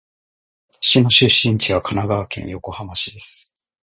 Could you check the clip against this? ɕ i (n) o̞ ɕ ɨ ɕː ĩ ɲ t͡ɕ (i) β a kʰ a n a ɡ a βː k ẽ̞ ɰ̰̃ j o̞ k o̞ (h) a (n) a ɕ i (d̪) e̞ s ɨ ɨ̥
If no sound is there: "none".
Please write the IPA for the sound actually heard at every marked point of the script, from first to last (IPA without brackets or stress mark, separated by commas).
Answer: n, i, h, m, d̪